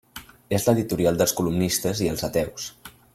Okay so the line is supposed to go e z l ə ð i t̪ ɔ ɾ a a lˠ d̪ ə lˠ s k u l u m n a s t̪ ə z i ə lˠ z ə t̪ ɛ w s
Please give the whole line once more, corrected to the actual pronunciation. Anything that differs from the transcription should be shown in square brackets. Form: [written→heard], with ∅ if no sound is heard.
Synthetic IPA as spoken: e z l ə ð i t̪ [ɔ→u] ɾ [a→i] a lˠ d̪ ə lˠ s k u l u m n [a→i] s t̪ ə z i ə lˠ z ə t̪ ɛ w s